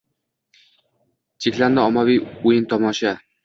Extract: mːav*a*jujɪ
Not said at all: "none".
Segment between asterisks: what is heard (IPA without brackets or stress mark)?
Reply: i